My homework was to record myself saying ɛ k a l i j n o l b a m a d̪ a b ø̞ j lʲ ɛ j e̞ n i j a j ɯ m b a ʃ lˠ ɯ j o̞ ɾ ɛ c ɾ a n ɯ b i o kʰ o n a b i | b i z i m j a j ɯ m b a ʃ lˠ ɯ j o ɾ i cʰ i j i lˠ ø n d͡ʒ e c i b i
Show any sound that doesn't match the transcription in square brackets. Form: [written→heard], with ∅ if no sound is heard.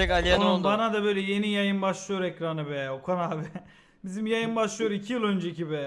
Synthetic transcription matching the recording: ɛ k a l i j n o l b a [m→n] a d̪ a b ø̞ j lʲ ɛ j e̞ n i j a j ɯ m b a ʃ lˠ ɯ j o̞ ɾ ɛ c ɾ a n ɯ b [i→ɛ] o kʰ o n a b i | b i z i m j a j ɯ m b a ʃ lˠ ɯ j o ɾ i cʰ i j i lˠ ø n d͡ʒ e c i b [i→ɛ]